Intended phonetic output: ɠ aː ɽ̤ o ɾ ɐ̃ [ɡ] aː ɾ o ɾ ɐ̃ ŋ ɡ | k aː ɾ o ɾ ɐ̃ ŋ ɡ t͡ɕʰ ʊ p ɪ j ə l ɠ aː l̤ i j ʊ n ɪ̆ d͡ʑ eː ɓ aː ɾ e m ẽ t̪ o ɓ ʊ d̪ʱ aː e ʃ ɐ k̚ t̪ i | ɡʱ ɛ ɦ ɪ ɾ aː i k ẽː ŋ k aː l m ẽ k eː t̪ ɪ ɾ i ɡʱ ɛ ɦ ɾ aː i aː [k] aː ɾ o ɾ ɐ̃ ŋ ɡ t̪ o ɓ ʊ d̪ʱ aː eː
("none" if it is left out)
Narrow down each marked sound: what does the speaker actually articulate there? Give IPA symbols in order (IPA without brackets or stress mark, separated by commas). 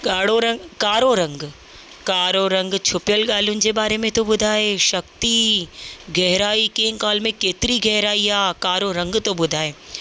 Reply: k, k